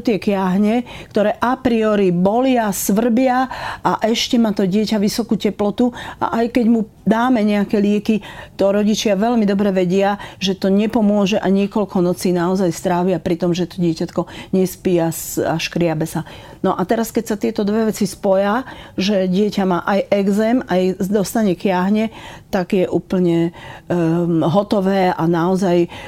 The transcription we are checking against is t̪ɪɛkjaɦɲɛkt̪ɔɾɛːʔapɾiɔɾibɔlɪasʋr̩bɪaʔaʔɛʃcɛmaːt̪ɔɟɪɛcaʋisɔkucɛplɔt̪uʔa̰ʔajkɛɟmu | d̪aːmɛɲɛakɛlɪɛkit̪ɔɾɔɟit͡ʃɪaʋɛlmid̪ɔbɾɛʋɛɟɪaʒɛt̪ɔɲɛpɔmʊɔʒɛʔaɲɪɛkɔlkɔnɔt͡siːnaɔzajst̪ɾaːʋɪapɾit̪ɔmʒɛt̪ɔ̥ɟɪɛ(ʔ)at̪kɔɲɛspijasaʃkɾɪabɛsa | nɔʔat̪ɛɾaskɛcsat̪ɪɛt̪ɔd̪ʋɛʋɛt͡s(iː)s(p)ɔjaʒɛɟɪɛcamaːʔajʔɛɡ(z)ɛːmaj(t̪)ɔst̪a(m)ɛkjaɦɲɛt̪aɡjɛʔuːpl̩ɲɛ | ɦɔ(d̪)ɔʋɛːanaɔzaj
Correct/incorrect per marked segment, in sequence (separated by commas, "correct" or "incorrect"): incorrect, incorrect, correct, correct, incorrect, incorrect, incorrect